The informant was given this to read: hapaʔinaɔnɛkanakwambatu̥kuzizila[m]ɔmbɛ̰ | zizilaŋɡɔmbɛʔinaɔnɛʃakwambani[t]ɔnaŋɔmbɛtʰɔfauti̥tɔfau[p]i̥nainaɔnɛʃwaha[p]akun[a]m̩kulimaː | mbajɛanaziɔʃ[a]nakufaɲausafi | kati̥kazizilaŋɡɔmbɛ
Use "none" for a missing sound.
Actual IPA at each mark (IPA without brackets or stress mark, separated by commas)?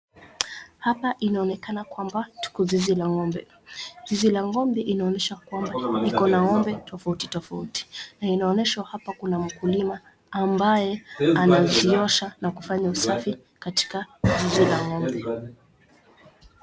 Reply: ŋ, k, t, p, a, a